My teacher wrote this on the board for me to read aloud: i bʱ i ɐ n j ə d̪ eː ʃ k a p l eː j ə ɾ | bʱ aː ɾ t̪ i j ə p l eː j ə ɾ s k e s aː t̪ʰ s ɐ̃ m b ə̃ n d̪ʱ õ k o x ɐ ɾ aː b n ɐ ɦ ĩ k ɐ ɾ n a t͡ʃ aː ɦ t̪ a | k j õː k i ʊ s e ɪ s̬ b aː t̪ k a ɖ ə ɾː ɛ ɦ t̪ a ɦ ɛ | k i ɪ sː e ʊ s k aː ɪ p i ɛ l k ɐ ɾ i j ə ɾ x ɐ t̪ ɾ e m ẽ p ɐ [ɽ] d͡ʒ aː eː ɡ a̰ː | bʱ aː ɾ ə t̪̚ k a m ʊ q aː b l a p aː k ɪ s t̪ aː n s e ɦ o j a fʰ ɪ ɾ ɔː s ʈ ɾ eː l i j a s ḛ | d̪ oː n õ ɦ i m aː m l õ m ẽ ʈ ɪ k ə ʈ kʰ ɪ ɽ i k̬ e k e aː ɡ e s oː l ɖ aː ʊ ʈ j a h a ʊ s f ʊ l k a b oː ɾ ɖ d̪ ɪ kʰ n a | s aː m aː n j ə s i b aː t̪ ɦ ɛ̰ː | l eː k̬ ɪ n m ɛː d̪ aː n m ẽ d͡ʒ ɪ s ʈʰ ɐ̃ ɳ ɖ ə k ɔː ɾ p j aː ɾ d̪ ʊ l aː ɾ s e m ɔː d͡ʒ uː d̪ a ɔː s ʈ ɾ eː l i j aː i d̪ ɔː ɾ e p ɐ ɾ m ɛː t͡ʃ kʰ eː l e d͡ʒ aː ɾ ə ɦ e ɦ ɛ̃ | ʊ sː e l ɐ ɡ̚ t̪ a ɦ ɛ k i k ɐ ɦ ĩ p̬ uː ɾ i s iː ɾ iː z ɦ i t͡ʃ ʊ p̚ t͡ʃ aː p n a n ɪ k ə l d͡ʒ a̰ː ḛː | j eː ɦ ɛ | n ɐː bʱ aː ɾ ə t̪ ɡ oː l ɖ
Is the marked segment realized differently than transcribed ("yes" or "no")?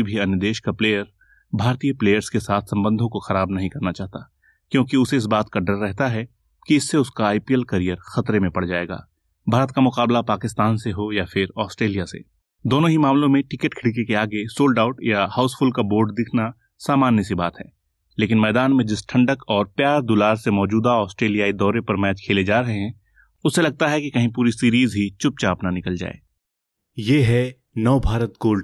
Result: no